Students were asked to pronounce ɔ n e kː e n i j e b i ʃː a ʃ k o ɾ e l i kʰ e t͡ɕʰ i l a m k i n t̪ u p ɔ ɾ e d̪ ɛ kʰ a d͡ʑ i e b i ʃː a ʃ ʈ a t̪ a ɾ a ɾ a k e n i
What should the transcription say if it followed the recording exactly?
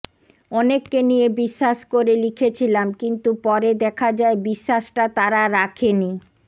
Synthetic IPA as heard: ɔ n e kː e n i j e b i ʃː a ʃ k o ɾ e l i kʰ e t͡ɕʰ i l a m k i n t̪ u p ɔ ɾ e d̪ ɛ kʰ a d͡ʑ a e b i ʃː a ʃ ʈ a t̪ a ɾ a ɾ a kʰ e n i